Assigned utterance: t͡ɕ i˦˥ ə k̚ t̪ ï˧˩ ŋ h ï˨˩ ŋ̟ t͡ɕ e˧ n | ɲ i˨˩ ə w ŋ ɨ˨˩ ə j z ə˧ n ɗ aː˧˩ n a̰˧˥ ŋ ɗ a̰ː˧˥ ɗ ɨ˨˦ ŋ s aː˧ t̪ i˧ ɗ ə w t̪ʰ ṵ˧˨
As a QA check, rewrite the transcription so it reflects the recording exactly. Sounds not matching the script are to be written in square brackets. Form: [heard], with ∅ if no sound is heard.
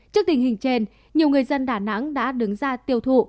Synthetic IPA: t͡ɕ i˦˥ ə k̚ t̪ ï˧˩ ŋ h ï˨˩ ŋ̟ t͡ɕ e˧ n | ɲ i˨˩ ə w ŋ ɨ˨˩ ə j z ə˧ n ɗ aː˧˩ n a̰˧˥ ŋ ɗ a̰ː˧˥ ɗ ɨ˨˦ ŋ [z] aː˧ t̪ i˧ [∅] ə w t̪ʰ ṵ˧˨